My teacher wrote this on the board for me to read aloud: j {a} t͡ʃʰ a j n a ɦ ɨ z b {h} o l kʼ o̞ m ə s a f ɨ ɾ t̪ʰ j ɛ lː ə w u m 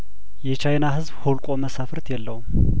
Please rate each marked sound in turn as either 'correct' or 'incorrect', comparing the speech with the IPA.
incorrect: ɛ, correct

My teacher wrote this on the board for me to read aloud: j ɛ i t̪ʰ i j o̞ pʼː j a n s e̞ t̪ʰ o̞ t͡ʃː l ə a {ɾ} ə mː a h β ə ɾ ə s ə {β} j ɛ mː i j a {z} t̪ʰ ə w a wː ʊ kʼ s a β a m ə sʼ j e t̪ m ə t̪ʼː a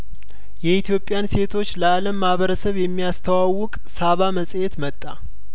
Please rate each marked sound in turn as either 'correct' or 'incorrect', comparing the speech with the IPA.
incorrect: l, correct, incorrect: s

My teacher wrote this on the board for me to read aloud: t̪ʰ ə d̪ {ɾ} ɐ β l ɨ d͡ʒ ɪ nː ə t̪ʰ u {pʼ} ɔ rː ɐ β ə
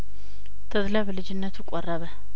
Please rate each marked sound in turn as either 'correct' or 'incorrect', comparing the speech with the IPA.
incorrect: l, incorrect: kʼ

